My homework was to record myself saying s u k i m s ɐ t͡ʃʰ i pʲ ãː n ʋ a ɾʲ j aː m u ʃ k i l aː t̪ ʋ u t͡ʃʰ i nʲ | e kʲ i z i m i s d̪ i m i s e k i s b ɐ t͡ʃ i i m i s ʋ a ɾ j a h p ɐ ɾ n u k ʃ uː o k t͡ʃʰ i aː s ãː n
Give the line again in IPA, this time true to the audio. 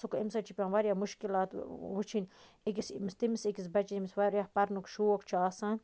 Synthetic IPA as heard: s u k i m s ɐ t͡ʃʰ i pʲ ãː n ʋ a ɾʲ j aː m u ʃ k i l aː t̪ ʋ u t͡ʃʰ i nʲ | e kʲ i s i m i s t̪ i m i s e k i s b ɐ t͡ʃ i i m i s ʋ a ɾ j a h p ɐ ɾ n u k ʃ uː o k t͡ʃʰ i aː s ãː n